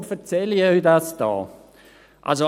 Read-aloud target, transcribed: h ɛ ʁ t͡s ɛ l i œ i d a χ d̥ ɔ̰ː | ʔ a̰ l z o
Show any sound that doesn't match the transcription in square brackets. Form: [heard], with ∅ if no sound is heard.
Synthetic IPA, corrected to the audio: [f] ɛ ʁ t͡s ɛ l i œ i d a [s] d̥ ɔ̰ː | ʔ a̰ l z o